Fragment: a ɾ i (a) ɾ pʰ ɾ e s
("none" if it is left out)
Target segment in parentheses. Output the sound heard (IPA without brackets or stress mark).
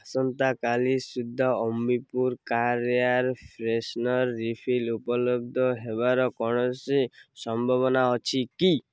a